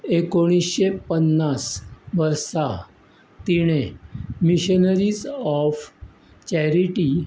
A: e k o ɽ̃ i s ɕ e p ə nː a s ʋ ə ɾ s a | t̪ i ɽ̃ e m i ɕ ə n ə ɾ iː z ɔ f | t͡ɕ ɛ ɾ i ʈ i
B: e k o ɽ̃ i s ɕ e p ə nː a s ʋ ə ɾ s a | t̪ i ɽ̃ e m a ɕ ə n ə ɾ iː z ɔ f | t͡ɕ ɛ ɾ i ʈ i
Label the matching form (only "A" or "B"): A